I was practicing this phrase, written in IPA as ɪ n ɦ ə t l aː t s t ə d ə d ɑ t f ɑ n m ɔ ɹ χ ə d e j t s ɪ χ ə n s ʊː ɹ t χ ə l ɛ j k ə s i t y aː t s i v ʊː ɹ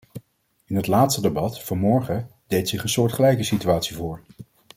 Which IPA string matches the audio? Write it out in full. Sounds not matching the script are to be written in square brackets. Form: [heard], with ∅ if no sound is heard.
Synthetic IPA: ɪ n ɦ ə t l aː t s t ə d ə [b] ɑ t f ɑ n m ɔ ɹ χ ə d e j t s ɪ χ ə n s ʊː ɹ t χ ə l ɛ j k ə s i t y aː t s i v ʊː ɹ

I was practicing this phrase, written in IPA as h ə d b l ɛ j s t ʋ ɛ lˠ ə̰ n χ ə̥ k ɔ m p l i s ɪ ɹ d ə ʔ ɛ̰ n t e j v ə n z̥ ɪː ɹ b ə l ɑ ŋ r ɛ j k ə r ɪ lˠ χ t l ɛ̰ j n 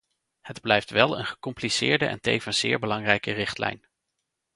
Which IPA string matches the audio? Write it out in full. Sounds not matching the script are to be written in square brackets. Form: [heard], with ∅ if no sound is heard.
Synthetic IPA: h ə d b l ɛ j [f] t ʋ ɛ lˠ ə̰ n χ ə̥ k ɔ m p l i s [ɪː] ɹ d ə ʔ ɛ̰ n t e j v ə n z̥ ɪː ɹ b ə l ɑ ŋ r ɛ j k ə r ɪ [∅] χ t l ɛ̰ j n

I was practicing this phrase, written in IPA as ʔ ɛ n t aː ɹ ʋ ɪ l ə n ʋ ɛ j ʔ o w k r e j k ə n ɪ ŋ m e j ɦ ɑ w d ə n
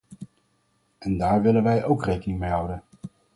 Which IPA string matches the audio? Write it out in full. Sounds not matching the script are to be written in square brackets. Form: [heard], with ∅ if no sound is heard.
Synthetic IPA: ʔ ɛ n [d] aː ɹ ʋ ɪ l ə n ʋ ɛ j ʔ o w k r e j k ə n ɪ ŋ m e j ɦ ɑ w d ə n

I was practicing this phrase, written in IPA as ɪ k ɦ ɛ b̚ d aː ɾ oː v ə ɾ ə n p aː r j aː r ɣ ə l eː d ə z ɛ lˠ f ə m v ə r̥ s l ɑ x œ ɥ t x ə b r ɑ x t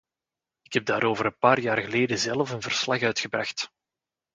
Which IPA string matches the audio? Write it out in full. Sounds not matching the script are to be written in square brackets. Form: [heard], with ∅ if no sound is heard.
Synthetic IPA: ɪ k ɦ ɛ b̚ d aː ɾ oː v ə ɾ ə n p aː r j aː r ɣ ə l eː d ə z ɛ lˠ f ə [n] v ə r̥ s l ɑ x œ ɥ t x ə b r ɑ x t

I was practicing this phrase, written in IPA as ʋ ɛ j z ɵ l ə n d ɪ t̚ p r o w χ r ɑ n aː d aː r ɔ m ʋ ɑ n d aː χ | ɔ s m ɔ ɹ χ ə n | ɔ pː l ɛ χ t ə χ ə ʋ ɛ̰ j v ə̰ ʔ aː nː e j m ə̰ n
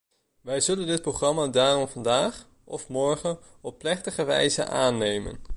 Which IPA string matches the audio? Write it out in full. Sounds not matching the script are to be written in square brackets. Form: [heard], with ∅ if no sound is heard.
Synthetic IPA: ʋ ɛ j z ɵ l ə n d ɪ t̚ p r o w χ r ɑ [m] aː d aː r ɔ m [v] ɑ n d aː χ | ɔ [f] m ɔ ɹ χ ə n | ɔ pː l ɛ χ t ə χ ə ʋ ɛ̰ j [z] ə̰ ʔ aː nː e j m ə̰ n

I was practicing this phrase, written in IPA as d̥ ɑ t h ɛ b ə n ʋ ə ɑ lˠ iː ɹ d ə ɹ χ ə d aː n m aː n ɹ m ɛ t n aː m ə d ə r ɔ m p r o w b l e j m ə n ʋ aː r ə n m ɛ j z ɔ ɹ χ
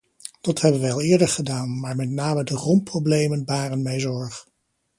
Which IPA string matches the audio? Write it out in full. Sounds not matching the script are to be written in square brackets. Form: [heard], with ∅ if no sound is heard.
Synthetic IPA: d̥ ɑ t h ɛ b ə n ʋ ə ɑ lˠ [ɪː] ɹ d ə ɹ χ ə d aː n m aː [∅] ɹ m ɛ t n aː m ə d ə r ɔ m p r o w b l e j m ə n ʋ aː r ə n m ɛ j z ɔ ɹ χ

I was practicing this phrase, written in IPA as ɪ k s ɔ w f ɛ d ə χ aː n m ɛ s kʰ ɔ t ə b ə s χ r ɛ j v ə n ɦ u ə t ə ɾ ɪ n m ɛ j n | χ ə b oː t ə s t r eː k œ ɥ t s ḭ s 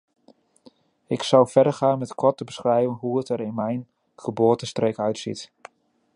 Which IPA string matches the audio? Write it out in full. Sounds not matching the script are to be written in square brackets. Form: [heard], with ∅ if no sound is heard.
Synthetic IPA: ɪ k s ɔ w f ɛ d ə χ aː n m ɛ [t] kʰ ɔ t ə b ə s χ r ɛ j v ə n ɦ u ə t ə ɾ ɪ n m ɛ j n | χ ə b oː t ə s t r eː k œ ɥ t s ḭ [t]

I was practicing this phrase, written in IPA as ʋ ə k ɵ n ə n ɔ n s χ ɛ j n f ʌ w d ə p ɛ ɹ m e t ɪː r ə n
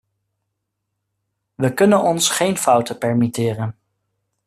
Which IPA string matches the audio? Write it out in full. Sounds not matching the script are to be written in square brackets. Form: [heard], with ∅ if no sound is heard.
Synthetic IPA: ʋ ə k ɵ n ə n ɔ n s χ [e] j n f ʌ w [t] ə p ɛ ɹ m [i] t ɪː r ə n

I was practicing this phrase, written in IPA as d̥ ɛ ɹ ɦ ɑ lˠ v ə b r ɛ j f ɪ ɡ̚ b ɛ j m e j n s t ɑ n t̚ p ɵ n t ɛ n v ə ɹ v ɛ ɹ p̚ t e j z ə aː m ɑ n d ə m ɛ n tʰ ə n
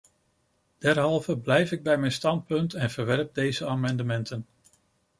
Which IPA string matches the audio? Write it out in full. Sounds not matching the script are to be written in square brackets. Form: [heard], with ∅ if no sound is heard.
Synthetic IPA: d̥ ɛ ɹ ɦ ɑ lˠ v ə b [l] ɛ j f ɪ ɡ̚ b ɛ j m [ɛ] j n s t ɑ n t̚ p ɵ n t ɛ n v ə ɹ [ʋ] ɛ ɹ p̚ [d] e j z ə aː m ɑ n d ə m ɛ n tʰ ə n

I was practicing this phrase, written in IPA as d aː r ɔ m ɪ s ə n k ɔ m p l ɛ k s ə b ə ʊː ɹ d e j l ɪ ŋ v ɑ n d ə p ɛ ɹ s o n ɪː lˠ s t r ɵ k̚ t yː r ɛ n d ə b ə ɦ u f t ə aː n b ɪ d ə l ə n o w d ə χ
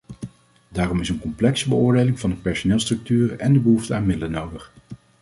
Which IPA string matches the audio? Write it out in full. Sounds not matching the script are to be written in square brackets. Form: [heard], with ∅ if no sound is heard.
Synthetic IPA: d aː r ɔ m ɪ s ə n k ɔ m p l ɛ k s ə b ə ʊː ɹ d e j l ɪ ŋ v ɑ n d ə p ɛ ɹ s o n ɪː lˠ s t r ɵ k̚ t yː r ɛ n d ə b ə ɦ u f t ə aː n [m] ɪ d ə l ə n o w d ə χ

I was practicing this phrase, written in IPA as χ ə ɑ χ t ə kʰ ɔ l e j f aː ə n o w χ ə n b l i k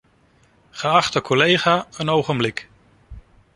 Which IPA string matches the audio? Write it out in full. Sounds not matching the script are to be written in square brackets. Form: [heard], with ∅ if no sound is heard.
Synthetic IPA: χ ə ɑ χ t ə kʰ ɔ l e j [χ] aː ə n o w χ ə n b l [ɪ] k

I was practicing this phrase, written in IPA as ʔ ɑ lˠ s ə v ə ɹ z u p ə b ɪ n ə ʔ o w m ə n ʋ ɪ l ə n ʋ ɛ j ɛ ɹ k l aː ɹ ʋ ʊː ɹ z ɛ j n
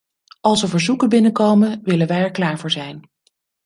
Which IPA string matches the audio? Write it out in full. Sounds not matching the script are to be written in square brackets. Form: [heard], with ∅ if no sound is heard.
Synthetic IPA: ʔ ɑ lˠ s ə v ə ɹ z u [k] ə b ɪ n ə [k] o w m ə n ʋ ɪ l ə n ʋ ɛ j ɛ ɹ k l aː ɹ [v] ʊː ɹ z ɛ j n

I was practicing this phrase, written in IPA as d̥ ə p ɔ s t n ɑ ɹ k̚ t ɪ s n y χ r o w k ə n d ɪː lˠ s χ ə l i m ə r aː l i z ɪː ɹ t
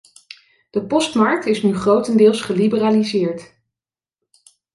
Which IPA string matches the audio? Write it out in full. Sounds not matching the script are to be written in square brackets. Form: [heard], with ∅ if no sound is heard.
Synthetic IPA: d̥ ə p ɔ s t [m] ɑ ɹ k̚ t ɪ s n y χ r o w [t] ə n d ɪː lˠ s χ ə l i [b] ə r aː l i z ɪː ɹ t

